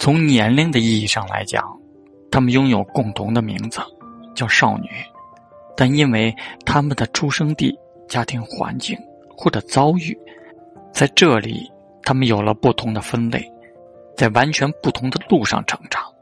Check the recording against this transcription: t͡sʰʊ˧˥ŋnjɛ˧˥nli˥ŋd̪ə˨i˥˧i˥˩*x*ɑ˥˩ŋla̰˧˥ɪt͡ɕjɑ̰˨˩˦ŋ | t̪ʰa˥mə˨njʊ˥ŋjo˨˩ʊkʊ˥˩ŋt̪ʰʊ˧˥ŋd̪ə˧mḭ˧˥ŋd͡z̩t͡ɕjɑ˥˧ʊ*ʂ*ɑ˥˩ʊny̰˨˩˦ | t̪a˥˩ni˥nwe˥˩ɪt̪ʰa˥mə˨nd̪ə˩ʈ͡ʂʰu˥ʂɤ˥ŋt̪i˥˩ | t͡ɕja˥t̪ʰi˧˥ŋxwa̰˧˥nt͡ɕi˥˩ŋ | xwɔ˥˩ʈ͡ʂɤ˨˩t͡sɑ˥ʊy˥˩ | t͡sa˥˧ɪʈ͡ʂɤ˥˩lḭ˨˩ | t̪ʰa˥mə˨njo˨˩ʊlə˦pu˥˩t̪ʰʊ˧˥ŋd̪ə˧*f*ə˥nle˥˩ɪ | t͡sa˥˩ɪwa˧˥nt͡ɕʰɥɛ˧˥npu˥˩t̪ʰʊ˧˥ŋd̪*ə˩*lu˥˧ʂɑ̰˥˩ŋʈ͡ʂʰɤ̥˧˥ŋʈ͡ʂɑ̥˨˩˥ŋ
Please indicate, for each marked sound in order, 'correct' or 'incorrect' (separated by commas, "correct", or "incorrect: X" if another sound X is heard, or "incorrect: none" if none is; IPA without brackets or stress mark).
incorrect: ʂ, correct, correct, incorrect: ə˧